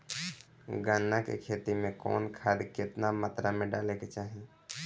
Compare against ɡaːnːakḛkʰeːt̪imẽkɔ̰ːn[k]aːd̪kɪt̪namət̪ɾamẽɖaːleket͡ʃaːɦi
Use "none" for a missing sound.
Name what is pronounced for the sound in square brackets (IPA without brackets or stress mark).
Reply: kʰ